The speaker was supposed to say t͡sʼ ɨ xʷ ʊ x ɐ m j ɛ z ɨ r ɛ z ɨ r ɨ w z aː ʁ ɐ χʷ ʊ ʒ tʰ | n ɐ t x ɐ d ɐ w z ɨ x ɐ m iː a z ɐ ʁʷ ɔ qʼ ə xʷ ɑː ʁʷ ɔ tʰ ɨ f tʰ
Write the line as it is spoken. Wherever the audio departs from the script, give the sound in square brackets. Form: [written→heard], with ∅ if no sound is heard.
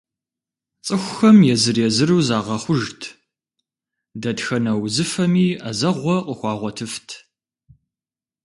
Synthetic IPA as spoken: t͡sʼ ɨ xʷ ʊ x ɐ m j ɛ z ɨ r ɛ z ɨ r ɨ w z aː ʁ ɐ χʷ ʊ ʒ tʰ | [n→d] ɐ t x ɐ [d→n] ɐ w z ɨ [x→f] ɐ m iː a z ɐ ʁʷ ɔ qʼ ə xʷ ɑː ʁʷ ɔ tʰ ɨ f tʰ